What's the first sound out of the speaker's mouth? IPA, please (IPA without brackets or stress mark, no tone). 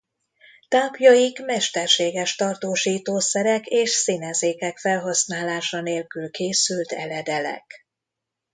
t̪